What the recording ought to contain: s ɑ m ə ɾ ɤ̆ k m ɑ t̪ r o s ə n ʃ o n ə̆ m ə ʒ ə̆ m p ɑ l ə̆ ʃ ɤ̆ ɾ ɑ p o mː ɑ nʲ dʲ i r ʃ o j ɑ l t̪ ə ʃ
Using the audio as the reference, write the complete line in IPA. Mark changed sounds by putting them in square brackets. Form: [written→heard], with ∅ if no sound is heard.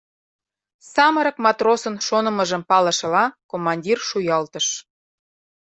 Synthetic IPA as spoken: s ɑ m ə ɾ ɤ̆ k m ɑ t̪ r o s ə n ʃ o n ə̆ m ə ʒ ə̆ m p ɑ l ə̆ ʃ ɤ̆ [ɾ→l] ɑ [p→k] o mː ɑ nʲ dʲ i r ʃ [o→u] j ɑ l t̪ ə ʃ